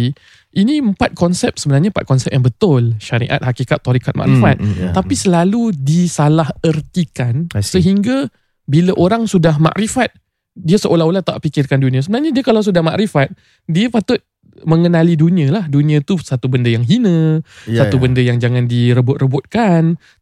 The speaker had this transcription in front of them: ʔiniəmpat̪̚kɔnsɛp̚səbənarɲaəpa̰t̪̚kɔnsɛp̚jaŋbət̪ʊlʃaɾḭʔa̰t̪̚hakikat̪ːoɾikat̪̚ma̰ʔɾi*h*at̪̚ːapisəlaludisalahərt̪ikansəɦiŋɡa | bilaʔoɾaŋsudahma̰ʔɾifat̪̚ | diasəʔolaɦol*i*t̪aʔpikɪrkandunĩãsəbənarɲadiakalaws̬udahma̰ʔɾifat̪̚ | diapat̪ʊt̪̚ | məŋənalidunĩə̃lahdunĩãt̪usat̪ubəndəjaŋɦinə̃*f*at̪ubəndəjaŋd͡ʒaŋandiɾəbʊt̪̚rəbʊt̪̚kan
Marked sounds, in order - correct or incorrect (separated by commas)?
incorrect, incorrect, incorrect